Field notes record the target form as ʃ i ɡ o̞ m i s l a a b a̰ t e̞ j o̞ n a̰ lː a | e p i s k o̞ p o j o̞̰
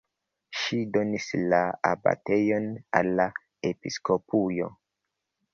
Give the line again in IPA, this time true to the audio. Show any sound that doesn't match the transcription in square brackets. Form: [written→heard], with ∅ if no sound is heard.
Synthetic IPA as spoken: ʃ i [ɡ→d] o̞ [m→n] i s l a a b a̰ t e̞ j o̞ n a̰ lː a | e p i s k o̞ p [o→u] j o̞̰

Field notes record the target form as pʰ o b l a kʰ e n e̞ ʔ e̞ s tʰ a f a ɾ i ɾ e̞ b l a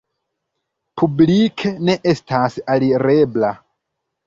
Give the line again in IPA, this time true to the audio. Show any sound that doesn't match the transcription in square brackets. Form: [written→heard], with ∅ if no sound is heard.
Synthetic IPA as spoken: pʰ [o→u] b l [a→i] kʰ e n e̞ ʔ e̞ s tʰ a [f→s] a [ɾ→l] i ɾ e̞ b l a

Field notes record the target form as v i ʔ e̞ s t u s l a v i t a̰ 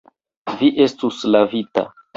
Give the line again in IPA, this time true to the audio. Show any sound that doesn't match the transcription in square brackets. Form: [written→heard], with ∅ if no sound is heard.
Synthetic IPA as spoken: v i ʔ e̞ s t u s l a v i t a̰

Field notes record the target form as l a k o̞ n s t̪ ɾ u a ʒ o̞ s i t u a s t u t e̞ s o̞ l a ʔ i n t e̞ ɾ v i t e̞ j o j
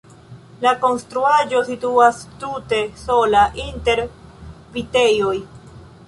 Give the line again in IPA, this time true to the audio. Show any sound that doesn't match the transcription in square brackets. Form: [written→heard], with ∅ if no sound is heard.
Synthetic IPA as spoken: l a k o̞ n s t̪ ɾ u a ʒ o̞ s i t u a s t u t e̞ s o̞ l a ʔ i n t e̞ ɾ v i t e̞ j o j

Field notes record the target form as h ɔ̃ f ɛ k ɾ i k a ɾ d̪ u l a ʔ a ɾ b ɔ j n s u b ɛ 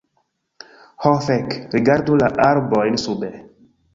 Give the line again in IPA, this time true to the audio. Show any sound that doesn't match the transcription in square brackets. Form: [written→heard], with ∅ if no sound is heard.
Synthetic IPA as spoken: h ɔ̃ f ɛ k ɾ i [k→ɡ] a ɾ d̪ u l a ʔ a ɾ b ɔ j n s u b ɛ

